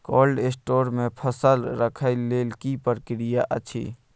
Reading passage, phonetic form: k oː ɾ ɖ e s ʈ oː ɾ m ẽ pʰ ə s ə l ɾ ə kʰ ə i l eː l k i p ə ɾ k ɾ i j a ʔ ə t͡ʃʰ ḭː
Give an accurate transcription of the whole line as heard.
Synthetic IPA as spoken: k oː l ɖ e s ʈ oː ɾ m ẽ pʰ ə s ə l ɾ ə kʰ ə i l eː l k i p ə ɾ k ɾ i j a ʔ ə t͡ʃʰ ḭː